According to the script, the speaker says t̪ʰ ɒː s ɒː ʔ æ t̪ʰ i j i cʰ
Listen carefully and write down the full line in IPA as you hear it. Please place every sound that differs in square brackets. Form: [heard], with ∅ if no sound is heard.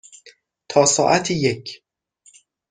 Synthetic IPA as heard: t̪ʰ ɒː s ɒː ʔ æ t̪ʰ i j [e] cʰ